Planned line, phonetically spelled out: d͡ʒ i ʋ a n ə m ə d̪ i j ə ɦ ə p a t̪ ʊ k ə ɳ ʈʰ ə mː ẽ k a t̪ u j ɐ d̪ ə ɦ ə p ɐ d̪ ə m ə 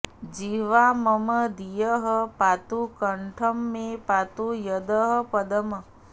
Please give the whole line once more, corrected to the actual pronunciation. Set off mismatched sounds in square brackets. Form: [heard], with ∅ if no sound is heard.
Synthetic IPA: d͡ʒ i ʋ a [m] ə m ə d̪ i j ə ɦ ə p a t̪ [u] k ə ɳ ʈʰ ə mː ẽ [p] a t̪ u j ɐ d̪ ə ɦ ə p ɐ d̪ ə m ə